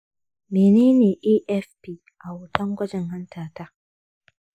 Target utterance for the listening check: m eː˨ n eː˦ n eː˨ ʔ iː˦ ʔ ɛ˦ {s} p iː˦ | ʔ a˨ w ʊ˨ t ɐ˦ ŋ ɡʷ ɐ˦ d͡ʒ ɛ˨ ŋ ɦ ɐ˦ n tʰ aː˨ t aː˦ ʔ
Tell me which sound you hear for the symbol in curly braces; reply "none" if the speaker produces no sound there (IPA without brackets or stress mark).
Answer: f